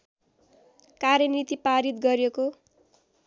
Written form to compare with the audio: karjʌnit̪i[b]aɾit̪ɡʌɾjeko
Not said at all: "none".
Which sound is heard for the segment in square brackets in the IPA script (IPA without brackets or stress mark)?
p